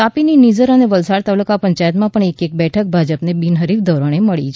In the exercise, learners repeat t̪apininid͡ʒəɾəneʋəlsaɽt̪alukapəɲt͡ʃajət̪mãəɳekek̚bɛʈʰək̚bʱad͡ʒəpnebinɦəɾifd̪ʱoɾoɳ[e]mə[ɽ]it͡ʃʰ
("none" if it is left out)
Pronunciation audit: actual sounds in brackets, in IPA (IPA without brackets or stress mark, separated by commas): e, ɭ